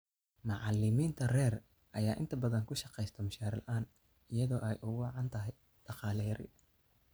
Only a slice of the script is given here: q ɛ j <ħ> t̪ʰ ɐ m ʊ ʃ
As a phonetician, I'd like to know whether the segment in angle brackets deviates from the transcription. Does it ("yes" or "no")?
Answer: yes